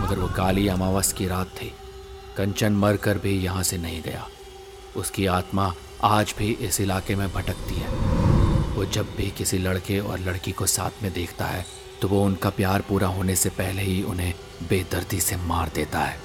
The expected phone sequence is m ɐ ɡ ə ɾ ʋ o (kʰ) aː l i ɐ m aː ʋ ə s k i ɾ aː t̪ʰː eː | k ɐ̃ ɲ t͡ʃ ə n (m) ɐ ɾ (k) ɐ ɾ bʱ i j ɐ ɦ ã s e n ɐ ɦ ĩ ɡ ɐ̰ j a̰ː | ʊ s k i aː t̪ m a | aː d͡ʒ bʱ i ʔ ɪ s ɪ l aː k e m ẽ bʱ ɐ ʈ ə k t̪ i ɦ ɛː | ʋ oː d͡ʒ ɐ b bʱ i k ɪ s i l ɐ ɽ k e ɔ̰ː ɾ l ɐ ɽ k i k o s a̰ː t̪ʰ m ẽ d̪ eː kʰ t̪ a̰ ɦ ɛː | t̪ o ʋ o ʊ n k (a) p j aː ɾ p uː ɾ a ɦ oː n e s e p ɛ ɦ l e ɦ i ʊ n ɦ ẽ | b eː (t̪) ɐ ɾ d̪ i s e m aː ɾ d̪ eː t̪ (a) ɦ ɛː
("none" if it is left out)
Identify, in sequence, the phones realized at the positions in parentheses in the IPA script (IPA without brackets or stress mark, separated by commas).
k, m, k, a, d̪, a